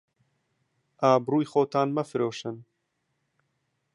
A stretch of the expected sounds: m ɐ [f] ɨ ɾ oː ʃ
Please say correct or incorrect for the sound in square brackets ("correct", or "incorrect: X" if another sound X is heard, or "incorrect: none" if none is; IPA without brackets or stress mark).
correct